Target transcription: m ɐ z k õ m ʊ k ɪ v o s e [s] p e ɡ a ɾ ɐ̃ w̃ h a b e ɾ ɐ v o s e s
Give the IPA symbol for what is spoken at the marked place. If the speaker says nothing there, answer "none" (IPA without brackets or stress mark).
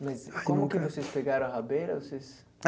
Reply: s